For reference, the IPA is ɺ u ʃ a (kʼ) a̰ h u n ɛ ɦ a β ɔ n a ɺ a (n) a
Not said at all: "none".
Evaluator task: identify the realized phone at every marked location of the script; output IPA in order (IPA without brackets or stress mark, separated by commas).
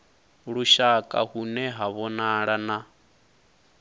kʼ, n